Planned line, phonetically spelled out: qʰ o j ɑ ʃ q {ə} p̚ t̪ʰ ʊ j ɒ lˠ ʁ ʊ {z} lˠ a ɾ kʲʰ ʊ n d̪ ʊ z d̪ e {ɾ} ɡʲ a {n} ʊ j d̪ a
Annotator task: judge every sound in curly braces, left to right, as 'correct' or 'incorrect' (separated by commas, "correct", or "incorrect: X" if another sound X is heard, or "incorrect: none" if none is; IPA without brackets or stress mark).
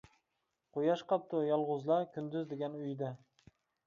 incorrect: ɑ, correct, incorrect: none, correct